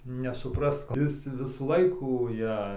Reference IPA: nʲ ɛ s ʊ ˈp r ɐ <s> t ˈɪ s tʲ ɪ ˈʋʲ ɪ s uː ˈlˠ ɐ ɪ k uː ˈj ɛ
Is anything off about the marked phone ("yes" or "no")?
no